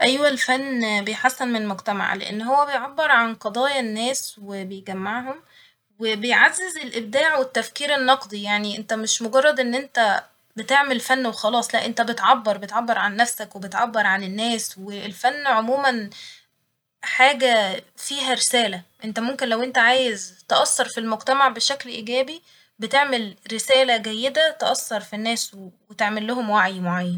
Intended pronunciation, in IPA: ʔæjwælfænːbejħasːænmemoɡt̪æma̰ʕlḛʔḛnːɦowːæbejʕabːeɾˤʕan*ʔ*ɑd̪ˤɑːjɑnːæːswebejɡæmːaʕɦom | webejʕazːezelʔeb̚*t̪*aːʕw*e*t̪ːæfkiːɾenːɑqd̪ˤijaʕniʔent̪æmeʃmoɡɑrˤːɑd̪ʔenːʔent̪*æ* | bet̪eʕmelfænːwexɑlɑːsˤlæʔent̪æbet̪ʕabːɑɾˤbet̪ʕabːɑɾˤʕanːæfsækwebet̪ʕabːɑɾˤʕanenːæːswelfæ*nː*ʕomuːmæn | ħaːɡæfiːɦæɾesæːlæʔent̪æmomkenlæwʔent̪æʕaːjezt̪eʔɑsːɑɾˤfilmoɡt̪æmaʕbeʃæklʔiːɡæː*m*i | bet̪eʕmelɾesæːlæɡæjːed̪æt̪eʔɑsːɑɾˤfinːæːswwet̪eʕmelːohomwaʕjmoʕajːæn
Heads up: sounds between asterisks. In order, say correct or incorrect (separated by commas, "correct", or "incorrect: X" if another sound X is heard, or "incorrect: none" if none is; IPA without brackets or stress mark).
incorrect: q, incorrect: d̪, correct, correct, correct, incorrect: b